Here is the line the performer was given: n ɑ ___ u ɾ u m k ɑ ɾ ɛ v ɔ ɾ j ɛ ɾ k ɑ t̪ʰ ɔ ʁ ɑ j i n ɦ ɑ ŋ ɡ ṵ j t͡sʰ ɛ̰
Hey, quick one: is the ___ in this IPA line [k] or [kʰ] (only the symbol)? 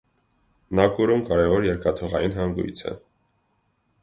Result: k